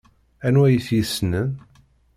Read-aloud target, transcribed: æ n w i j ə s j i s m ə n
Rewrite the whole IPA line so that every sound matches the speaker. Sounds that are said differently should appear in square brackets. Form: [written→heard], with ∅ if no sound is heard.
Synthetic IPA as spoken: æ n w [i→æ] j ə [s→θ] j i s [m→n] ə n